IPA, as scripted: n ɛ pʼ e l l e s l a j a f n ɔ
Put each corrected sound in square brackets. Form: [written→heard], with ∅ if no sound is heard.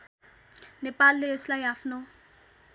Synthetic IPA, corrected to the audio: n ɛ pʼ [e→a] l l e s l a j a f n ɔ